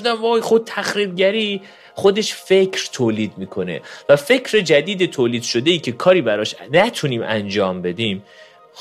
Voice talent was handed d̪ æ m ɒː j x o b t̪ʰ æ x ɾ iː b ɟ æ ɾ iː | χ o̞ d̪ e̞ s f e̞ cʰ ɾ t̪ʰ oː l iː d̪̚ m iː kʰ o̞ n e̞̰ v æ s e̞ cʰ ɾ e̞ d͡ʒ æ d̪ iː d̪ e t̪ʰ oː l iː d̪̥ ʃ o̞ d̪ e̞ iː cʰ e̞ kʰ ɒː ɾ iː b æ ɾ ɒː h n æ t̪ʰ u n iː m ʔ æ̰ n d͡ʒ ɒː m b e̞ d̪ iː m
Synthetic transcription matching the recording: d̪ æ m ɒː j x o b t̪ʰ æ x ɾ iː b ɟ æ ɾ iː | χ o̞ d̪ e̞ ʃ f e̞ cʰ ɾ t̪ʰ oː l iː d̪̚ m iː kʰ o̞ n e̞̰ v æ f e̞ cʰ ɾ e̞ d͡ʒ æ d̪ iː d̪ e t̪ʰ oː l iː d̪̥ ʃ o̞ d̪ e̞ iː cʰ e̞ kʰ ɒː ɾ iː b æ ɾ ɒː ʃ n æ t̪ʰ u n iː m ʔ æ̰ n d͡ʒ ɒː m b e̞ d̪ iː m